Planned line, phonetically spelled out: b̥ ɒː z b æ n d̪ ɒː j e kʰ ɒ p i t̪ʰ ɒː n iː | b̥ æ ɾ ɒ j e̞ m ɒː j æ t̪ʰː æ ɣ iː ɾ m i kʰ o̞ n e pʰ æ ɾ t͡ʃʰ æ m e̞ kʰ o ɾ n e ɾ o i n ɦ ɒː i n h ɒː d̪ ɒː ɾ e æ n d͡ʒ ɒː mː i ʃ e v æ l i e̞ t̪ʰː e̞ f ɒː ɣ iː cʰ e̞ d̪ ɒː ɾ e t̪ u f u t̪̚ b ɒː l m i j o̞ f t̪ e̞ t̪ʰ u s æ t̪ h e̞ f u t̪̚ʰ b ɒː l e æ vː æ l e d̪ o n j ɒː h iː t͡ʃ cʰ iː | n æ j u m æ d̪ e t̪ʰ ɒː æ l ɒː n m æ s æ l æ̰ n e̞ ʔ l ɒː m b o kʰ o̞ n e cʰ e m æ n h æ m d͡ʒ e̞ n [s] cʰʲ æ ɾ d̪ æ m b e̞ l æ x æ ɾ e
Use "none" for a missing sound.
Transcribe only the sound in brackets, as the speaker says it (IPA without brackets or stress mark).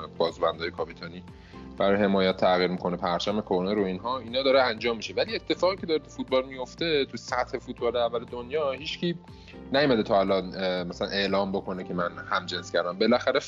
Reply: s